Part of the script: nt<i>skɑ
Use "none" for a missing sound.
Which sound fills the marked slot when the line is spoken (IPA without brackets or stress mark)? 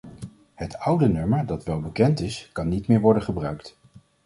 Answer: ɪ